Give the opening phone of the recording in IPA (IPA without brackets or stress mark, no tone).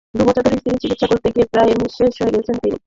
d̪